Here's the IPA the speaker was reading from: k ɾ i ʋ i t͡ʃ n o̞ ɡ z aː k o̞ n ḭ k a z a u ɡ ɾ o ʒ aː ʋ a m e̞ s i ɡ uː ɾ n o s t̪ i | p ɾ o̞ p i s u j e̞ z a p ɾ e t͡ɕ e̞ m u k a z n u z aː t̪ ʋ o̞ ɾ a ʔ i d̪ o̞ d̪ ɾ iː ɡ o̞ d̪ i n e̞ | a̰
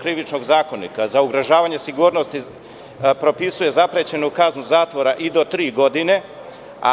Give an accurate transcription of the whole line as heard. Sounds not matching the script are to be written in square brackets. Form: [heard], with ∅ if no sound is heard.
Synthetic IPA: k ɾ i ʋ i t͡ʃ n o̞ ɡ z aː k o̞ n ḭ k a z a u ɡ ɾ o ʒ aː ʋ a [ɲ] e̞ s i ɡ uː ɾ n o s t̪ i | p ɾ o̞ p i s u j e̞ z a p ɾ e t͡ɕ e̞ [n] u k a z n u z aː t̪ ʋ o̞ ɾ a ʔ i d̪ o̞ [t̪] ɾ iː ɡ o̞ d̪ i n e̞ | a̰